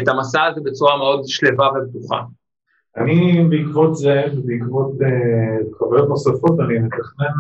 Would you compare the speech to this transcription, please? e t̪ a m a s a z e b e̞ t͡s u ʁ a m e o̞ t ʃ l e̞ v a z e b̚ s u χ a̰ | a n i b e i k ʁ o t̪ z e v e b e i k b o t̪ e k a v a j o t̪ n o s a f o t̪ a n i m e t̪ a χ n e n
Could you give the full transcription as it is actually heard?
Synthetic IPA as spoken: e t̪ a m a s a z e b e̞ t͡s u ʁ a m e o̞ d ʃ l e̞ v a v e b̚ t u χ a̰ | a n i b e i k v o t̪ z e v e b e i k v o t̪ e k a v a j o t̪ n o s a f o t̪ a n i m e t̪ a χ n e n